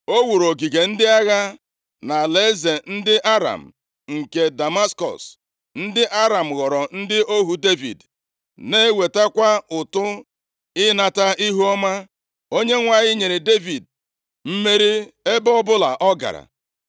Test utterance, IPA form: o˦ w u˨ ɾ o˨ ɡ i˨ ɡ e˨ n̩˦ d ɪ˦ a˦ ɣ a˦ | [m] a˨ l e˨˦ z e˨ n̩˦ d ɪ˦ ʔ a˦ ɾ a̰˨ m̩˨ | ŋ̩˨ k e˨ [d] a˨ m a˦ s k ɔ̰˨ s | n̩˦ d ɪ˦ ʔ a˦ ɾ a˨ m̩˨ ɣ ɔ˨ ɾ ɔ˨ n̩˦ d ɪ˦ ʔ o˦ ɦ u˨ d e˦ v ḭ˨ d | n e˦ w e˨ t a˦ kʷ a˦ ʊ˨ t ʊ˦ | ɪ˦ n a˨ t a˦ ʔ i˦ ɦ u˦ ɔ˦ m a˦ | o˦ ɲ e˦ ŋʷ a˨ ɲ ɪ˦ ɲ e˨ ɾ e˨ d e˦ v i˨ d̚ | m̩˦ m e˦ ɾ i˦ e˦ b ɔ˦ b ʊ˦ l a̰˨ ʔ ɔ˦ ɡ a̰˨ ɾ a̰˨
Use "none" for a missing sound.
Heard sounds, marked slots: n, d

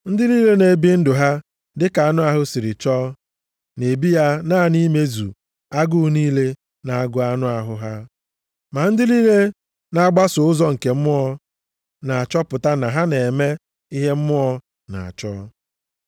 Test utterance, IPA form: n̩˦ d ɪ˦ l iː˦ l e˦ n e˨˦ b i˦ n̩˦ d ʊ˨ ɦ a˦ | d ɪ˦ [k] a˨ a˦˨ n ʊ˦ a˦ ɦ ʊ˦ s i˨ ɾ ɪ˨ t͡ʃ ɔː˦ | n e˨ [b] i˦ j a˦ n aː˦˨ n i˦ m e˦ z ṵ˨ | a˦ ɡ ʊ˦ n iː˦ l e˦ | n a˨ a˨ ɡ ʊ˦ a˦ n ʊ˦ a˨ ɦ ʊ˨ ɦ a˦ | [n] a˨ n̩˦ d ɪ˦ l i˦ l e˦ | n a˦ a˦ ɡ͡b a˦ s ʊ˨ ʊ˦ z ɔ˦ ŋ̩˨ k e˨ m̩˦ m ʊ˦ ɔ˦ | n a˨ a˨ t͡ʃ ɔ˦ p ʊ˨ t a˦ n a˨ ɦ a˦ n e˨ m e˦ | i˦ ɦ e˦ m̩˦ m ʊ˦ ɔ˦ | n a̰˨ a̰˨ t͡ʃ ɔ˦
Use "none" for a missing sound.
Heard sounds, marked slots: k, b, m

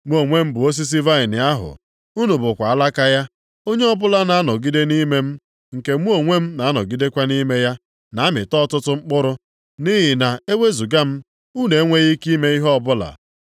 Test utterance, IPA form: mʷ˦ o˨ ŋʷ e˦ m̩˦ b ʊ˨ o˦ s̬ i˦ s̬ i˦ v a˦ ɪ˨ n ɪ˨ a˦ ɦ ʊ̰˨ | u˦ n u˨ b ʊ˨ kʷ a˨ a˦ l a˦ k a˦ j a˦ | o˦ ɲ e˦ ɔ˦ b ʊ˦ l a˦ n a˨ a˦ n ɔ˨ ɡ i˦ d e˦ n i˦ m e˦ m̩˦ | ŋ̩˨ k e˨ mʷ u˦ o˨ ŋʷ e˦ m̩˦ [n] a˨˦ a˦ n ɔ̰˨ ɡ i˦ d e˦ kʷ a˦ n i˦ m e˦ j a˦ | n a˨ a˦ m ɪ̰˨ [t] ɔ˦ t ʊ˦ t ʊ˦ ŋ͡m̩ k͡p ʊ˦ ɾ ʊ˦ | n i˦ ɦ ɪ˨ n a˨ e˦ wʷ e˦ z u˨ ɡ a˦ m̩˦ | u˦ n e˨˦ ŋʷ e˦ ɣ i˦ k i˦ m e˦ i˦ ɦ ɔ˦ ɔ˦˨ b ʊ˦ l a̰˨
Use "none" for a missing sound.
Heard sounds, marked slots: n, t

